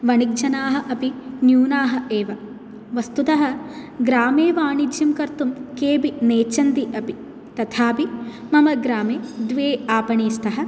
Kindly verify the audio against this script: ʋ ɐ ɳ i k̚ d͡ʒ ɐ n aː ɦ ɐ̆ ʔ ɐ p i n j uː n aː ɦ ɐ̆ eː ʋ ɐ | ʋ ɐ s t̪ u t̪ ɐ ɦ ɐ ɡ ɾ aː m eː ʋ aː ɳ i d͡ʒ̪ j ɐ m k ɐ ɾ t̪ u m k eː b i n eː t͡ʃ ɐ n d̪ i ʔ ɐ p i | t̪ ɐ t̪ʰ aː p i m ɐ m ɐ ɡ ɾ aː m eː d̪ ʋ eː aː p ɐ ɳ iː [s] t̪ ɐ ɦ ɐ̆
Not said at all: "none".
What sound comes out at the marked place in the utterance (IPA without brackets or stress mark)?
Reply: s